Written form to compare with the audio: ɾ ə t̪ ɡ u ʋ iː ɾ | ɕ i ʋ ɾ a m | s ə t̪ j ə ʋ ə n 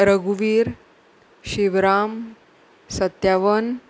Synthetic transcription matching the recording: ɾ ə ɡ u ʋ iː ɾ | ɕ i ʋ ɾ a m | s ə t̪ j a ʋ ə n